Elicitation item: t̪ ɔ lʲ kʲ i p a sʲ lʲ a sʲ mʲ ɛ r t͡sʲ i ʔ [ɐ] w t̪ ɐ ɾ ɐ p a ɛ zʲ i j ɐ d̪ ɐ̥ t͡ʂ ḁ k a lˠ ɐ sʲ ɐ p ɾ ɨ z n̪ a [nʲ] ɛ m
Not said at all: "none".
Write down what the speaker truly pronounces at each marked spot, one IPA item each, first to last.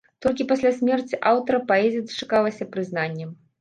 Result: a, nʲː

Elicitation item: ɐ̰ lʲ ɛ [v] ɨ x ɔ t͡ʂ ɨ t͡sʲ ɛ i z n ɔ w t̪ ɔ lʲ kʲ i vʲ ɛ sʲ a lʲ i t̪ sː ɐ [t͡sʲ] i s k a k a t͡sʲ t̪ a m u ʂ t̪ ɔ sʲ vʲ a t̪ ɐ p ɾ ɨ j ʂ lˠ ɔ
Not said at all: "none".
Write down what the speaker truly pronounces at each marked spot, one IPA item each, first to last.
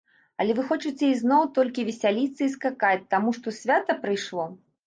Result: v, none

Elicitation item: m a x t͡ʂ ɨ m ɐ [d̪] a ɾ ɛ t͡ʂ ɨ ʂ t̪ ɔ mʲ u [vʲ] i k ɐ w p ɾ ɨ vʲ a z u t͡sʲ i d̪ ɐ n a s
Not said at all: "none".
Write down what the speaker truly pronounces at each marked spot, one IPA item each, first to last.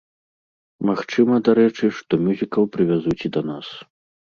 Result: d̪, zʲ

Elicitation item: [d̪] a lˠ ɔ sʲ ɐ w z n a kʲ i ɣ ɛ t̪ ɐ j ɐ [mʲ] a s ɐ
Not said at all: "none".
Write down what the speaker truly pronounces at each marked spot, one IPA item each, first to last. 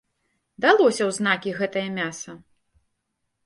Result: d̪, mʲ

